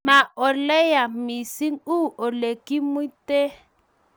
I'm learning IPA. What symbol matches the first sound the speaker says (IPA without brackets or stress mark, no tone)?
m